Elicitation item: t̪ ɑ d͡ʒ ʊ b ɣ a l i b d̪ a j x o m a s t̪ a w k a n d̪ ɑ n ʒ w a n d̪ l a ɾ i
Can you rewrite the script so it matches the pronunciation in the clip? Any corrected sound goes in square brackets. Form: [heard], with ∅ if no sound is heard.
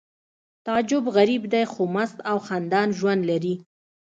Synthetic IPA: t̪ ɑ d͡ʒ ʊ b ɣ a [ɾ] i b d̪ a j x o m a s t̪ a w [x] a n d̪ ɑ n ʒ w a n d̪ l a ɾ i